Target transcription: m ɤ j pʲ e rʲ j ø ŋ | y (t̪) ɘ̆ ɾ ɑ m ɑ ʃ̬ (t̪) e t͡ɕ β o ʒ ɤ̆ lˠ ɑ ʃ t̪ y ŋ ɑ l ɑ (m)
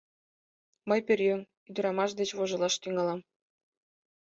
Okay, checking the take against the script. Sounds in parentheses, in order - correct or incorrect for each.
incorrect, incorrect, correct

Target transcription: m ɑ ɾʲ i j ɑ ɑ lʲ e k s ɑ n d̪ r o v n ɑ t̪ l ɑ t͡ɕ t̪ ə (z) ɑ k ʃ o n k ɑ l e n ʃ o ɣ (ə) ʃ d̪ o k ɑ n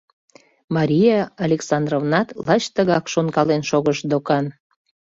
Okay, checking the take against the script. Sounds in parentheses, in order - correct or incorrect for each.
incorrect, correct

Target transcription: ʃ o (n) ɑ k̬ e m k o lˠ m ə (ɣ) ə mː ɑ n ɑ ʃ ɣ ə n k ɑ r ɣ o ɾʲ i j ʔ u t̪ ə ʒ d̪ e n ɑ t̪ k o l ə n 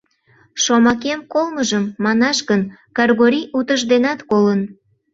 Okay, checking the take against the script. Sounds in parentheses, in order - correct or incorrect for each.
incorrect, incorrect

